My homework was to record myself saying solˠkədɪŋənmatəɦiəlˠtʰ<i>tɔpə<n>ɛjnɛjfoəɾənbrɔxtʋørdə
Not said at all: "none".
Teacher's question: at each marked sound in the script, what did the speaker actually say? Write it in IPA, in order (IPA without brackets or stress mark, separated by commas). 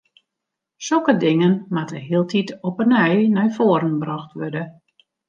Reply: i, n